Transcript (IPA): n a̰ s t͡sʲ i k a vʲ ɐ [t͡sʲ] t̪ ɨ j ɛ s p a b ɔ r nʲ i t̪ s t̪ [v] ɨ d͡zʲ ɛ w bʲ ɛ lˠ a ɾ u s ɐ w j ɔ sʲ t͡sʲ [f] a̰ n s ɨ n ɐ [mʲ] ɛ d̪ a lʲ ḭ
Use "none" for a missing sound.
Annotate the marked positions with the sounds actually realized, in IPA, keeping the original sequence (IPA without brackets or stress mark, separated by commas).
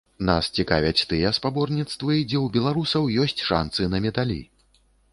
t͡sʲ, v, ʂ, mʲ